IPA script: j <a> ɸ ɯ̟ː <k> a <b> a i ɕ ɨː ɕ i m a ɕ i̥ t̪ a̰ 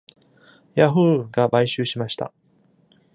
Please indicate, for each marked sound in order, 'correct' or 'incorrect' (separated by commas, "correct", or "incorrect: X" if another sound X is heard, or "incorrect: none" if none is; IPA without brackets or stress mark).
correct, incorrect: ɡ, correct